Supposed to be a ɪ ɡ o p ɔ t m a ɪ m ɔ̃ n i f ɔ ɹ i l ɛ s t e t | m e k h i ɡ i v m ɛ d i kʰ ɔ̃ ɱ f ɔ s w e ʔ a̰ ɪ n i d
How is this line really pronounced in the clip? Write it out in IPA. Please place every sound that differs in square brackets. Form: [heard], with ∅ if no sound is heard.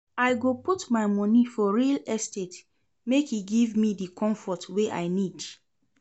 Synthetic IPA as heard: a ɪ ɡ o p [u] t m a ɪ m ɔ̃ n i f ɔ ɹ i l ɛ s t e t | m e k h i ɡ i v m [i] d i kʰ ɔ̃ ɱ f ɔ [t] w e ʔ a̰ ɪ n i d